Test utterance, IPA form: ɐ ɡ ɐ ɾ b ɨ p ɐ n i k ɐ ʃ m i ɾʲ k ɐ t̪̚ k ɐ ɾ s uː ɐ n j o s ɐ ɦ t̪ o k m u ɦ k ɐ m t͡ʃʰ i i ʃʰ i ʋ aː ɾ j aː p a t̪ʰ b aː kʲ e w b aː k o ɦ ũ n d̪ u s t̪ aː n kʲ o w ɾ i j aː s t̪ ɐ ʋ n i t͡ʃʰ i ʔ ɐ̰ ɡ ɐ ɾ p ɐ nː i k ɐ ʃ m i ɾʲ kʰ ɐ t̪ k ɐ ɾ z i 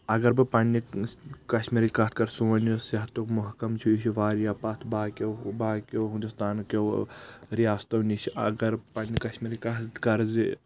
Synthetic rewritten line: ɐ ɡ ɐ ɾ b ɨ p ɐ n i k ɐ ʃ m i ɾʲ k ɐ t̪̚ k ɐ ɾ s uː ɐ n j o s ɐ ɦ t̪ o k m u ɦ k ɐ m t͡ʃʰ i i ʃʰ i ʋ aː ɾ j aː p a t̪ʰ b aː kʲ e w b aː k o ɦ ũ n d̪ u s t̪ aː n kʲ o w ɾ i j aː s t̪ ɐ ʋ n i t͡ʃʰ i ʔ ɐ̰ ɡ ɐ ɾ p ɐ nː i k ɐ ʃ m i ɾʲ k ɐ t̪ k ɐ ɾ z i